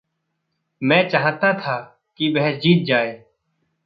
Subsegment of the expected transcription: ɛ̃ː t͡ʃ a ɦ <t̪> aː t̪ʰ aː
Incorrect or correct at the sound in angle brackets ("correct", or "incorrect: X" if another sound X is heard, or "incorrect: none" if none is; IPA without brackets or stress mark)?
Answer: correct